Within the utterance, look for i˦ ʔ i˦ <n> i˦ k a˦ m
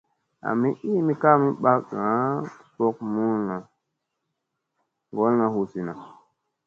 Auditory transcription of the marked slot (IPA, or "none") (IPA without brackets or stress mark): m